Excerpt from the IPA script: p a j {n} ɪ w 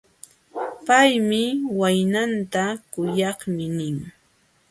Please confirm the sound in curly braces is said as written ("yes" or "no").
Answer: no